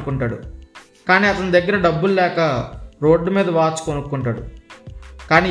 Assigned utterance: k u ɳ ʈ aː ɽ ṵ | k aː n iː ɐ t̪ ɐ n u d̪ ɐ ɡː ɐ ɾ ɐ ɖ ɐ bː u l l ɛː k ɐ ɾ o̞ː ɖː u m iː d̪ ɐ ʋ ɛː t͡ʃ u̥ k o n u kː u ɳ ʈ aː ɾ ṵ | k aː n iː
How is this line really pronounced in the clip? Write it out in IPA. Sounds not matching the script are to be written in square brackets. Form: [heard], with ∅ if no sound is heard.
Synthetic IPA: k u ɳ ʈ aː ɽ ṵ | k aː n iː ɐ t̪ ɐ n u d̪ ɐ ɡː ɐ ɾ ɐ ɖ ɐ bː u l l ɛː k ɐ ɾ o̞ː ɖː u m iː d̪ ɐ ʋ [aː] t͡ʃ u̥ k o n u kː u ɳ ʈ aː [ɽ] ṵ | k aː n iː